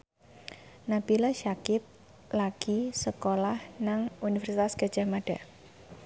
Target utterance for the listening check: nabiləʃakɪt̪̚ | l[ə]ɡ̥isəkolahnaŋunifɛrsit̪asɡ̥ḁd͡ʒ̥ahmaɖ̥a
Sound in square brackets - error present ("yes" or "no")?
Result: yes